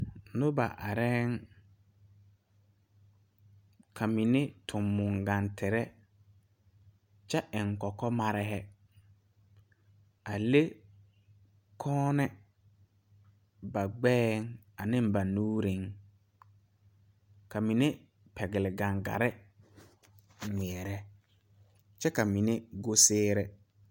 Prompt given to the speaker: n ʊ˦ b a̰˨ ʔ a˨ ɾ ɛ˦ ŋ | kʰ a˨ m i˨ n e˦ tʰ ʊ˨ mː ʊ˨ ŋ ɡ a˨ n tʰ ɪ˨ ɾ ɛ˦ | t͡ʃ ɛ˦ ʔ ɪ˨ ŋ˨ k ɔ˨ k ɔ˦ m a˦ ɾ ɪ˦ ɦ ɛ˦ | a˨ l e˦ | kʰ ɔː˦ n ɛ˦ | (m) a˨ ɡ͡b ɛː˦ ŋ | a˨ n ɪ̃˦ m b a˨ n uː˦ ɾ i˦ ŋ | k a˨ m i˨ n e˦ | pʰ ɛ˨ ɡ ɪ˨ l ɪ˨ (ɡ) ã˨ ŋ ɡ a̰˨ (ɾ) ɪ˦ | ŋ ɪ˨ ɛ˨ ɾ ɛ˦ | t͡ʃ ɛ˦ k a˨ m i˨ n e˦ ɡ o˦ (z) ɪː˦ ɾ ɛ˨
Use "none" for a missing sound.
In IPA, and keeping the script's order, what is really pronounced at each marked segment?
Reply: b, ɡ, ɾ, s

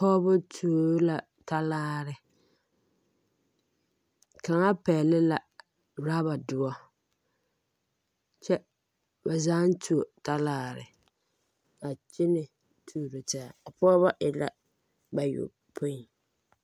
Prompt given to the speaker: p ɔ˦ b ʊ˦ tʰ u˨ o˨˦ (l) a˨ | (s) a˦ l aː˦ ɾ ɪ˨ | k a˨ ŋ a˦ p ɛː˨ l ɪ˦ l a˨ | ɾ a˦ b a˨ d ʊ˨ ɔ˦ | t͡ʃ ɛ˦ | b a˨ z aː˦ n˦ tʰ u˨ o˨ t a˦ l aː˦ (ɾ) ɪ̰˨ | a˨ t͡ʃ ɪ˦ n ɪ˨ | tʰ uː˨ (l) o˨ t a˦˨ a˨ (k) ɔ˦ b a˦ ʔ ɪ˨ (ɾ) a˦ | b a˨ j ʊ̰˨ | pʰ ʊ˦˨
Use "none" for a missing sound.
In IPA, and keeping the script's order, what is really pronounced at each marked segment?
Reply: l, t, ɾ, ɾ, p, l

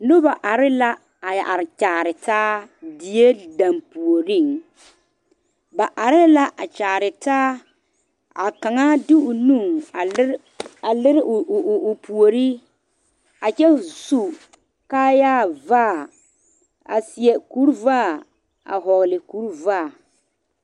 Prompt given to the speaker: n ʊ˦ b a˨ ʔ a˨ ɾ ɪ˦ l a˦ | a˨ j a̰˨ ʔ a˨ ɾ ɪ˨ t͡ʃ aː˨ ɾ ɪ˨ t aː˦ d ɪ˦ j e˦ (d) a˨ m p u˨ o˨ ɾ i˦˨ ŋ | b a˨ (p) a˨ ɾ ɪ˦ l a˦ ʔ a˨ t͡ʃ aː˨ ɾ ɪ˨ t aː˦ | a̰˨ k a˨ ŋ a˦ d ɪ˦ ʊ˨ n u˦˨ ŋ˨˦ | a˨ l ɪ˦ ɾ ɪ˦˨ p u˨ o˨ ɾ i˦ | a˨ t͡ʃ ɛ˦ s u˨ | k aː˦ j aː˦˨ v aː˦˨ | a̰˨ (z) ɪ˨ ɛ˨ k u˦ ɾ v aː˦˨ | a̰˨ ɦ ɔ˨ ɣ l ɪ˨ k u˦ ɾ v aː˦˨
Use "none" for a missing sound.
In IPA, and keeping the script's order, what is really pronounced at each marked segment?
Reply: d, ʔ, s

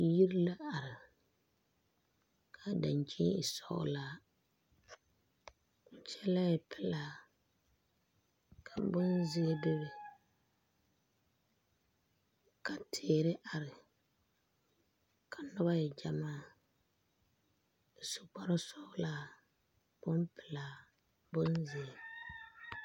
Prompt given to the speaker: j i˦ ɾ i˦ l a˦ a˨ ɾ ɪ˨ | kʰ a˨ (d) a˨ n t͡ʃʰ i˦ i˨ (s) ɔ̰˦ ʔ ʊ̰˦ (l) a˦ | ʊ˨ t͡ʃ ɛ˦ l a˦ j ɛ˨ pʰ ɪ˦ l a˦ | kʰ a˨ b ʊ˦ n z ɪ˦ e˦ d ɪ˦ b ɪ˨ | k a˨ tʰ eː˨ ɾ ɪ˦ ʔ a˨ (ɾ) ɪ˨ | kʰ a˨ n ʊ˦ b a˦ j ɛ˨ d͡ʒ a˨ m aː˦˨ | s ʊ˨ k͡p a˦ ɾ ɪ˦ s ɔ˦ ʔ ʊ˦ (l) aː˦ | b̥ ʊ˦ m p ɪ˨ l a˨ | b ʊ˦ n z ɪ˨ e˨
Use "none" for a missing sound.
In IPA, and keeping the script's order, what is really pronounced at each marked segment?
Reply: d, s, l, ɾ, l

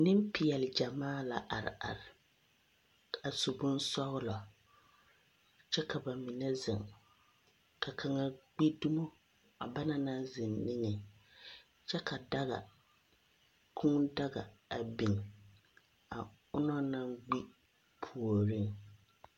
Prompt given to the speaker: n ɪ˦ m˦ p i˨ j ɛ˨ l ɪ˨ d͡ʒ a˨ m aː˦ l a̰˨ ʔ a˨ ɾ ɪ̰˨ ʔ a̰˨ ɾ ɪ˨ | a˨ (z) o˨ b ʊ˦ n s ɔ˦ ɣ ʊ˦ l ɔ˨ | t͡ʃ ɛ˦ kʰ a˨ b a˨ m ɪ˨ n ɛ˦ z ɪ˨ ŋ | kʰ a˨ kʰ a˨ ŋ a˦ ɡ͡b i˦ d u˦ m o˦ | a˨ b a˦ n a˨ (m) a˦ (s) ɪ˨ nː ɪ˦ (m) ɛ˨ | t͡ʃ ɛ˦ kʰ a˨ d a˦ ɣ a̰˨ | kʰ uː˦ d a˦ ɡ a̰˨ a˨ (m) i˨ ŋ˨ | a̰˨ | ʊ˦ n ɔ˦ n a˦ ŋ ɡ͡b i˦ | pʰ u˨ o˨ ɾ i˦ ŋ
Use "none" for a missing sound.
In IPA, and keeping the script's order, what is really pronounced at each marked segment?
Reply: s, n, z, ŋ, b

